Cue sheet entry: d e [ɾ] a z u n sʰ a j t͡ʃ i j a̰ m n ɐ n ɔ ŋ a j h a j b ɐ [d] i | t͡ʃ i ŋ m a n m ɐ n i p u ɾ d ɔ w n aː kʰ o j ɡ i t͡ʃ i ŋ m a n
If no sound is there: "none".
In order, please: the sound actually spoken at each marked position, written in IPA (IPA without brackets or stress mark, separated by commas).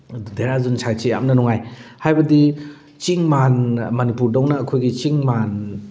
ɾ, d